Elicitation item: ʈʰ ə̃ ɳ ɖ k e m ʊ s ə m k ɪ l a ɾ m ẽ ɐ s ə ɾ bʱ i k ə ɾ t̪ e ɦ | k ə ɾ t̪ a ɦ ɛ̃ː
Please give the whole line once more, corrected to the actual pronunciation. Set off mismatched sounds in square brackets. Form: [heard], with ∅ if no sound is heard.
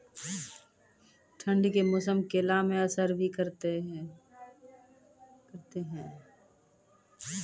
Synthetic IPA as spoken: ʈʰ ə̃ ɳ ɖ k e m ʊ s ə m k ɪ l a [∅] m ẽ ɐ s ə ɾ bʱ i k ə ɾ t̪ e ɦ | k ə ɾ t̪ [e] ɦ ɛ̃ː

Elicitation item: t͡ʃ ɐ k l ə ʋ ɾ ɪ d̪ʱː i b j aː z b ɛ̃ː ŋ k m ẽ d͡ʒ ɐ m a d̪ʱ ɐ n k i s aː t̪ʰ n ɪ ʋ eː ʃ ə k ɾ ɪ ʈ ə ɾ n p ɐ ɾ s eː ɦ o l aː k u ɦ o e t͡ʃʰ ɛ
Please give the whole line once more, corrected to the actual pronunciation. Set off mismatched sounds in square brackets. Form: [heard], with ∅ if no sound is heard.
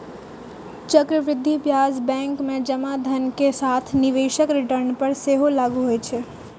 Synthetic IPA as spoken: t͡ʃ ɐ k [ɾ] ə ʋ ɾ ɪ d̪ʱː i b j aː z b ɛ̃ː ŋ k m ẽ d͡ʒ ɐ m a d̪ʱ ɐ n k [e] s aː t̪ʰ n ɪ ʋ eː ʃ ə k ɾ ɪ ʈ ə ɾ n p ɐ ɾ s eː ɦ o l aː [ɡ] u ɦ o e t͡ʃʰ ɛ

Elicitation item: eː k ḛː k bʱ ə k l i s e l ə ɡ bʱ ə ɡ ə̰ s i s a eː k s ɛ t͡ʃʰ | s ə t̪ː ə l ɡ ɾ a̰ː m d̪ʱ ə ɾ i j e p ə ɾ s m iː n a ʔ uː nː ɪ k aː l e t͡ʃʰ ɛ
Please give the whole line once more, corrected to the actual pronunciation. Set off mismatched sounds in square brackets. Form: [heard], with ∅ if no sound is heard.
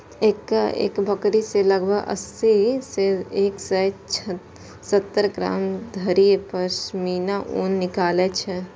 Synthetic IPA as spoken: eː k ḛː k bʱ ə k [ɾ] i s e l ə ɡ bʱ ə ɡ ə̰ s i s [e] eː k s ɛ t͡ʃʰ | s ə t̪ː ə [ɾ] ɡ ɾ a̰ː m d̪ʱ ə ɾ i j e p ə ɾ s m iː n a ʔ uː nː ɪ k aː l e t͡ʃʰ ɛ

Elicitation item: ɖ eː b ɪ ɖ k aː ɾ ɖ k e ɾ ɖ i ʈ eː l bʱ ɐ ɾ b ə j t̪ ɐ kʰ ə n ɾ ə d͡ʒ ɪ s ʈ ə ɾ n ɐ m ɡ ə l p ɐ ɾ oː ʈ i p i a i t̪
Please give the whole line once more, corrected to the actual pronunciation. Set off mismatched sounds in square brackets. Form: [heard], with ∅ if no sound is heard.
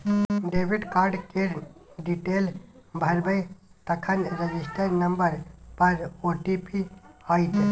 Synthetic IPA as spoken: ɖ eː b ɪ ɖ k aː ɾ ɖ k e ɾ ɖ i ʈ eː l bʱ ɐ ɾ b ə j t̪ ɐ kʰ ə n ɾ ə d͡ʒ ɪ s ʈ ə ɾ n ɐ m [b] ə [ɾ] p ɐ ɾ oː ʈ i p i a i t̪

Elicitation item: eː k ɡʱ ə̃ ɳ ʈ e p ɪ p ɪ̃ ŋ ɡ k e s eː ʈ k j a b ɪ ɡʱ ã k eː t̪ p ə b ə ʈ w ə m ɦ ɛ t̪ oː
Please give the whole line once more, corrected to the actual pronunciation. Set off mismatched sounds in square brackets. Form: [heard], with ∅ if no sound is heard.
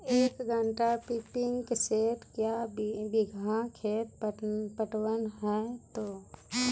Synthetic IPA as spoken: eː k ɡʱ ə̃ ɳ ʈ [a] p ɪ p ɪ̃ ŋ ɡ k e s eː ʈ k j a b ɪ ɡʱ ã [kʰ] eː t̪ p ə [p] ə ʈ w ə [n] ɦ ɛ t̪ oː

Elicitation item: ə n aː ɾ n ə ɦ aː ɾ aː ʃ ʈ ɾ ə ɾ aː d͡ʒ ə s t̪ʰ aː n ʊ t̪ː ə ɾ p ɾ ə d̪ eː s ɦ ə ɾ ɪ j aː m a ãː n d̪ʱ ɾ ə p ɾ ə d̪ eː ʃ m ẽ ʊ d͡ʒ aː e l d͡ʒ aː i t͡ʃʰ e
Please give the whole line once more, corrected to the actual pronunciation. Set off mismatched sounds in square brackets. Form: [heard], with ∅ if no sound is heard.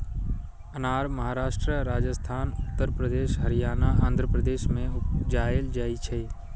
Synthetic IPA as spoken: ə n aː ɾ [m] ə ɦ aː ɾ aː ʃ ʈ ɾ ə ɾ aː d͡ʒ ə s t̪ʰ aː n ʊ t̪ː ə ɾ p ɾ ə d̪ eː [ʃ] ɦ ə ɾ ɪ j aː [n] a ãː n d̪ʱ ɾ ə p ɾ ə d̪ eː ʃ m ẽ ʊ d͡ʒ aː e l d͡ʒ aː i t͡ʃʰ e

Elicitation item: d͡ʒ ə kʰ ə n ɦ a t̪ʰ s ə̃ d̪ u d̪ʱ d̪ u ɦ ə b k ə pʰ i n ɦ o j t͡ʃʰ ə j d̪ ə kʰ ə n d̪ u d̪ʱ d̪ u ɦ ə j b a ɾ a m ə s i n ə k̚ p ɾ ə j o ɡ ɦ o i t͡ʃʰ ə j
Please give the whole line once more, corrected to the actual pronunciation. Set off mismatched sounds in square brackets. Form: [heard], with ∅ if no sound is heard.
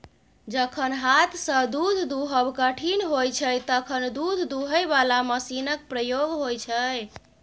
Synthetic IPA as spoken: d͡ʒ ə kʰ ə n ɦ a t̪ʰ s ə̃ d̪ u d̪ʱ d̪ u ɦ ə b k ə [ʈʰ] i n ɦ o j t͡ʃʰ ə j [t̪] ə kʰ ə n d̪ u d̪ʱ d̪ u ɦ ə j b a [l] a m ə s i n ə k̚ p ɾ ə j o ɡ ɦ o [j] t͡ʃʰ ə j

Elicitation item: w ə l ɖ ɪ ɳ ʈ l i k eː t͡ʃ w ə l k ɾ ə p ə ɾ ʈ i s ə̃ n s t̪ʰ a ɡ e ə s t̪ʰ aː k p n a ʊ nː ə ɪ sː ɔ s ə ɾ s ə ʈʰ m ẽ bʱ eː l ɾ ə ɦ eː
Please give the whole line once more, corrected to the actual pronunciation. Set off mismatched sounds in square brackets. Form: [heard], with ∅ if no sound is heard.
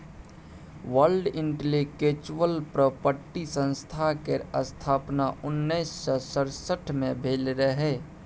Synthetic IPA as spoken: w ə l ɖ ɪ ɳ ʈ l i k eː t͡ʃ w ə l [p] ɾ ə p ə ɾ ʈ i s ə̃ n s t̪ʰ a [k] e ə s t̪ʰ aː [∅] p n a ʊ nː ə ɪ sː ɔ s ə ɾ s ə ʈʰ m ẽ bʱ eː l ɾ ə ɦ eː

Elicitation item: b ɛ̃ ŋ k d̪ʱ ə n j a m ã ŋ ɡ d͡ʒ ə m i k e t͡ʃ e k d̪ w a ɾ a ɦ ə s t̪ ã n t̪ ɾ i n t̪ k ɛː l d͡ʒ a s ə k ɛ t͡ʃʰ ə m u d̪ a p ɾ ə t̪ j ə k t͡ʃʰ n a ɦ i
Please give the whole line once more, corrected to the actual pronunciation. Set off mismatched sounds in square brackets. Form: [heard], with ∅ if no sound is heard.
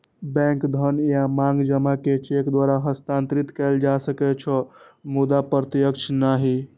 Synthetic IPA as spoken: b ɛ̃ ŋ k d̪ʱ ə n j a m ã ŋ ɡ d͡ʒ ə m [a] k e t͡ʃ e k d̪ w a ɾ a ɦ ə s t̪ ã n t̪ ɾ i [∅] t̪ k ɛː l d͡ʒ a s ə k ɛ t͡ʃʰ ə m u d̪ a p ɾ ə t̪ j ə k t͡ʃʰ n a ɦ i

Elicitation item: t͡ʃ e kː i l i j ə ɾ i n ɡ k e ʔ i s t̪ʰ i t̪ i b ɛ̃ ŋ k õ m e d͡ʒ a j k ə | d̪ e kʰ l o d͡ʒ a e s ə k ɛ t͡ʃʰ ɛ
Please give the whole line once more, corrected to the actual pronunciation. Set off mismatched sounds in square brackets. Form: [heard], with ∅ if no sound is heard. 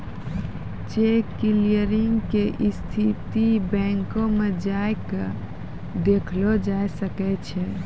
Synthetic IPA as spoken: t͡ʃ e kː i l i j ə ɾ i [ŋ] ɡ k e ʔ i s t̪ʰ i t̪ i b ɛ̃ ŋ k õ m e d͡ʒ a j k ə | d̪ e kʰ l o d͡ʒ a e s ə k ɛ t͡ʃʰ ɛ

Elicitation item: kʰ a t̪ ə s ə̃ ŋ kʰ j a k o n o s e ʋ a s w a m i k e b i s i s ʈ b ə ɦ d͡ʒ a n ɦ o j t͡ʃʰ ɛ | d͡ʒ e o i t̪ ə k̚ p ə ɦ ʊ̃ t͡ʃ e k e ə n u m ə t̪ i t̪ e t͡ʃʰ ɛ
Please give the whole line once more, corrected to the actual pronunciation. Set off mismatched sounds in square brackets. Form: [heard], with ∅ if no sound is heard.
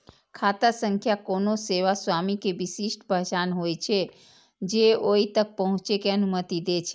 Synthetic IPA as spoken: kʰ a t̪ [a] s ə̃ ŋ kʰ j a k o n o s e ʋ a s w a m i k e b i s i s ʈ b ə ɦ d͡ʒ a n ɦ o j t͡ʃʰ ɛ | d͡ʒ e o i t̪ ə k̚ p ə ɦ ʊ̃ t͡ʃ e k e ə n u m ə t̪ i [d̪] e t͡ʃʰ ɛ

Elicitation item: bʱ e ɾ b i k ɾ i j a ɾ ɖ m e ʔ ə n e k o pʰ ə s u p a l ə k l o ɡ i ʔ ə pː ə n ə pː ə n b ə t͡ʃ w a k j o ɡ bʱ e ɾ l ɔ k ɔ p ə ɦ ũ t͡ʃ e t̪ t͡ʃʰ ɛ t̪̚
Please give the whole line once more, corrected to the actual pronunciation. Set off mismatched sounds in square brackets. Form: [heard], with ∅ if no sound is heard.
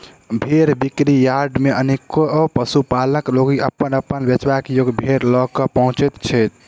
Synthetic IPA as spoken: bʱ e ɾ b i k ɾ i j a ɾ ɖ m e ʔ ə n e k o [p] ə s u p a l ə k l o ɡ i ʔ ə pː ə n ə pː ə n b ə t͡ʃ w a k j o ɡ bʱ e ɾ l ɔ k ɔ p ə ɦ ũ t͡ʃ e t̪ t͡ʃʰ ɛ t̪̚

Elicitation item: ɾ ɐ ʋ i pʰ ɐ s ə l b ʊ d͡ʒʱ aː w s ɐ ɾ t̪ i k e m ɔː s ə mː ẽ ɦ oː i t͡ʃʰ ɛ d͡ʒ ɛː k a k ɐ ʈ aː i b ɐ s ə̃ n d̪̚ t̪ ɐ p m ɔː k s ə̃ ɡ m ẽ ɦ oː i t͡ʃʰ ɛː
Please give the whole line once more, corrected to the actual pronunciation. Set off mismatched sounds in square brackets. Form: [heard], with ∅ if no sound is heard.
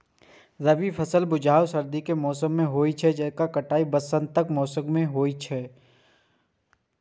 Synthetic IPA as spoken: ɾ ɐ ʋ i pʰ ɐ s ə l b ʊ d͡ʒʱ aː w s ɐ ɾ [d̪] i k e m ɔː s ə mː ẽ ɦ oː i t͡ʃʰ ɛ d͡ʒ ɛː k a k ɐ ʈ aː i b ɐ s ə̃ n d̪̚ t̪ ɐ [k] m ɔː [∅] s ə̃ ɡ m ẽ ɦ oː i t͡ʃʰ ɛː

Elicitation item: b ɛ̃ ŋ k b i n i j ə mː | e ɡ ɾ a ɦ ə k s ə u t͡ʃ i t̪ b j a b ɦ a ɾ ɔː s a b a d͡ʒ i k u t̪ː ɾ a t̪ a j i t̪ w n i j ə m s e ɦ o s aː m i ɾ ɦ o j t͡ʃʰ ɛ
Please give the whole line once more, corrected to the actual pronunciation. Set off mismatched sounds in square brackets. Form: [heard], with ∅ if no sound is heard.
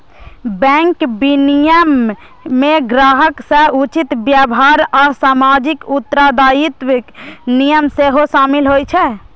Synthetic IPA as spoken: b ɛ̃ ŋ k b i n i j ə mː | e ɡ ɾ a ɦ ə k s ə u t͡ʃ i t̪ b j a b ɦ a ɾ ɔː s a [m] a d͡ʒ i k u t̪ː ɾ a [d̪] a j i t̪ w n i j ə m s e ɦ o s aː m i [l] ɦ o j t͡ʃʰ ɛ

